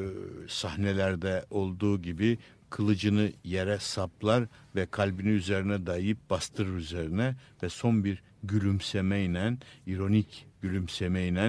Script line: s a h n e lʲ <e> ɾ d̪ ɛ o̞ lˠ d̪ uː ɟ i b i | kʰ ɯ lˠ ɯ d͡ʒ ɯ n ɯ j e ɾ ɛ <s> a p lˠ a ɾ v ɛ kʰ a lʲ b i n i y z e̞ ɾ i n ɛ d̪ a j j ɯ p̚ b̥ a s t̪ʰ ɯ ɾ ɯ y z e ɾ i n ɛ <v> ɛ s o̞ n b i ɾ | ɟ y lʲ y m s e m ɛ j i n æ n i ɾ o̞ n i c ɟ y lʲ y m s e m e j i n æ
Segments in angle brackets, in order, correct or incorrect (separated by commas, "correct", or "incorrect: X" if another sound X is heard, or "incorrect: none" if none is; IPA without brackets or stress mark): incorrect: æ, correct, correct